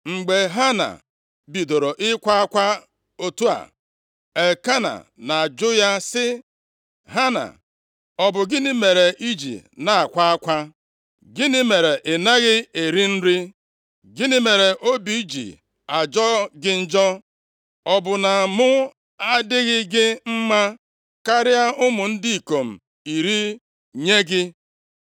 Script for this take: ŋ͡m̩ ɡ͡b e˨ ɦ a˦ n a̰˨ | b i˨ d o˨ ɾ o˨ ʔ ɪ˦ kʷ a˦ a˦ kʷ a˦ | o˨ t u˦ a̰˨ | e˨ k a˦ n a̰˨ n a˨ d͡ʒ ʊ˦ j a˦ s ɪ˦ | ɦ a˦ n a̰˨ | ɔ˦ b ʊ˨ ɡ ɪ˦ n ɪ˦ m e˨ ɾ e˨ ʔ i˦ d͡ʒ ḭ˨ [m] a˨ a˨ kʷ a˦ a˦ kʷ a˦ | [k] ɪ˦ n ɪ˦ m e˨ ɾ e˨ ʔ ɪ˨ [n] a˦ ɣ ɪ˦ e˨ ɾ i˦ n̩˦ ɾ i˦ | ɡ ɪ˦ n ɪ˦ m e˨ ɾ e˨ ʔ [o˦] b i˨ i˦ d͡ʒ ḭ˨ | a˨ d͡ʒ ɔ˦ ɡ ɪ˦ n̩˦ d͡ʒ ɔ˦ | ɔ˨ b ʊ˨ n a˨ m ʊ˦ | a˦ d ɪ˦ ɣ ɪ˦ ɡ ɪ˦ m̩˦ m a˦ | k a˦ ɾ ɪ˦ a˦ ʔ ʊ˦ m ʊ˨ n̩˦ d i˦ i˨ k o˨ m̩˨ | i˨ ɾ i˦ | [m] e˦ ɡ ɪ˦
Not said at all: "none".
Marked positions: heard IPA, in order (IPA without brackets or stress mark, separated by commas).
n, ɡ, n, o˦, ɲ